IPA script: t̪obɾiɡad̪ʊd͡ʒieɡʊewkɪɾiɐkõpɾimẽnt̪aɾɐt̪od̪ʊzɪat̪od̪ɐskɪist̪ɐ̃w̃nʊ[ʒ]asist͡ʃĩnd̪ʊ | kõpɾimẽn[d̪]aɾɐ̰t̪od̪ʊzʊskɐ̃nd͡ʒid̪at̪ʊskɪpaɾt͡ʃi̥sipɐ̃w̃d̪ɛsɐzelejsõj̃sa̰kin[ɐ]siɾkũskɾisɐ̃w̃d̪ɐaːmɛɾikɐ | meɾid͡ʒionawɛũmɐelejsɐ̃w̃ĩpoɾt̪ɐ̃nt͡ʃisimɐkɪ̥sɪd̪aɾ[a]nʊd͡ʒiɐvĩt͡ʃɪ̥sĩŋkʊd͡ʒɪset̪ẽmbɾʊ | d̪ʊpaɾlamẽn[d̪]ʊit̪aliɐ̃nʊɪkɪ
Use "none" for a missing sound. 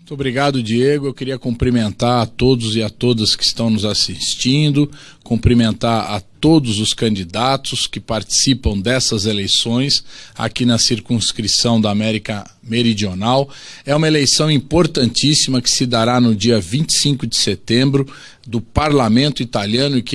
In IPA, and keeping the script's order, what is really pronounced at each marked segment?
z, t̪, ɐ, a, t̪

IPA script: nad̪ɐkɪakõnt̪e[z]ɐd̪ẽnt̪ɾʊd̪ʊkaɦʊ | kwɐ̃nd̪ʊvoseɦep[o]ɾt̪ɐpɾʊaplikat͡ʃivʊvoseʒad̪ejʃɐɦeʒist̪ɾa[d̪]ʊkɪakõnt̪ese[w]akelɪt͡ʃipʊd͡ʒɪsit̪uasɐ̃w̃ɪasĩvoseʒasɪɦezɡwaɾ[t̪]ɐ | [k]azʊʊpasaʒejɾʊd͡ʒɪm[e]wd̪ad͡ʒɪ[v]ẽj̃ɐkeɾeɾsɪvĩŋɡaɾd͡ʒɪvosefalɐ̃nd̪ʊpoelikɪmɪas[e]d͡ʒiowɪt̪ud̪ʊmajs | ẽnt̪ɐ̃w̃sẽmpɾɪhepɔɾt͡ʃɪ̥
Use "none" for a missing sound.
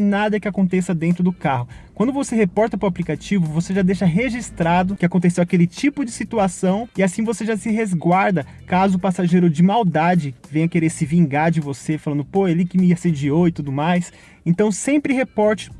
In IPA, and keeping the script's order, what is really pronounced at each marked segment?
s, ɔ, d̪, w, d̪, k, a, v, e

